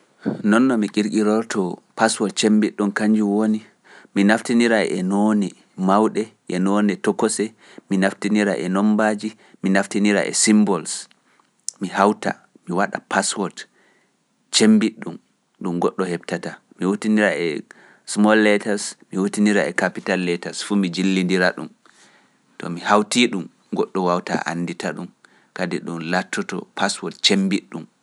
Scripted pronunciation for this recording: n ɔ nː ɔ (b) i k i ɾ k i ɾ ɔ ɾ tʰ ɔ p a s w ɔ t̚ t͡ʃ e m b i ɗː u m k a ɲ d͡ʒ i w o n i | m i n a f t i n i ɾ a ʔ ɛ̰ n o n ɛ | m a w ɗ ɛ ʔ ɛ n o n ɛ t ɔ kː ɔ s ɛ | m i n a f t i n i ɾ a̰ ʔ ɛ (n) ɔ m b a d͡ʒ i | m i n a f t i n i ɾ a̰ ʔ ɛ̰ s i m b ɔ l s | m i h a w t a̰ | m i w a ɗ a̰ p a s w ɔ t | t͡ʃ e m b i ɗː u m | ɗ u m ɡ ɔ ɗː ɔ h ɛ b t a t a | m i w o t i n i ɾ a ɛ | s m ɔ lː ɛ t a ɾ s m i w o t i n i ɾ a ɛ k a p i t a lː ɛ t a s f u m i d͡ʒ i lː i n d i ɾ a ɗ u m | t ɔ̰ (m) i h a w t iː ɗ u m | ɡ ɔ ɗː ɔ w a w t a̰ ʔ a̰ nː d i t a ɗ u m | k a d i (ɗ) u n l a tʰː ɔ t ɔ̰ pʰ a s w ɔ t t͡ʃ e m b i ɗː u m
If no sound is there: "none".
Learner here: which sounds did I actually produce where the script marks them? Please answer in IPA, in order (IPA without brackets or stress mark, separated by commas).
m, n, m, ɗ